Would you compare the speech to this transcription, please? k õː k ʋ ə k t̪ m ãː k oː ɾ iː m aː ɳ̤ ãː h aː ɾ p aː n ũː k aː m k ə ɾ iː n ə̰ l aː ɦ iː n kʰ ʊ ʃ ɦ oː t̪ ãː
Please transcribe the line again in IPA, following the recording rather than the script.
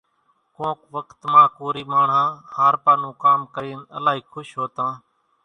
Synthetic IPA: k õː k ʋ ə k t̪ m ãː k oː ɾ iː m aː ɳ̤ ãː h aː ɾ p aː n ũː k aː m k ə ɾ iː n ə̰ l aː ɦ iː kʰ ʊ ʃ ɦ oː t̪ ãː